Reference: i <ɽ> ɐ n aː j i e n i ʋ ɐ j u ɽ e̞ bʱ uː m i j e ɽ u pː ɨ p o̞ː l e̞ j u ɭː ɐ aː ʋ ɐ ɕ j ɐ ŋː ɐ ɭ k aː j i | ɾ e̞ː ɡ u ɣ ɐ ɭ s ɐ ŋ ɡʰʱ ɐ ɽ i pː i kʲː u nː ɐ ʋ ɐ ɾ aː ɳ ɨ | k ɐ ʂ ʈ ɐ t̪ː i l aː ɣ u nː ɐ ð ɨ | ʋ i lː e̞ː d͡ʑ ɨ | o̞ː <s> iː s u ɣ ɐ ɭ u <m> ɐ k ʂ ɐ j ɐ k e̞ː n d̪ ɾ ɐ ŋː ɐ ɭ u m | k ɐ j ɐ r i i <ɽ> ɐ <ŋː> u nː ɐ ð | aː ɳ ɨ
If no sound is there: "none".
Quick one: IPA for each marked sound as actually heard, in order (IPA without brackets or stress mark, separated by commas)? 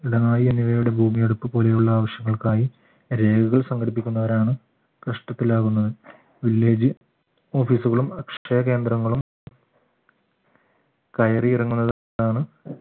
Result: ɽ, f, m, r, ŋː